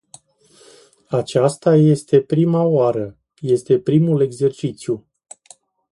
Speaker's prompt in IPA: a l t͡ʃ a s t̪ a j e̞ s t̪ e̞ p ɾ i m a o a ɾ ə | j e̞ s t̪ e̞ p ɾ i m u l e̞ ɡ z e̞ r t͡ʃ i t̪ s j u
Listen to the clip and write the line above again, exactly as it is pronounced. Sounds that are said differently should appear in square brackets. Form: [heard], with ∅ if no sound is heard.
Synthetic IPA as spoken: a [∅] t͡ʃ a s t̪ a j e̞ s t̪ e̞ p ɾ i m a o a ɾ ə | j e̞ s t̪ e̞ p ɾ i m u l e̞ ɡ z e̞ r t͡ʃ i t̪ s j u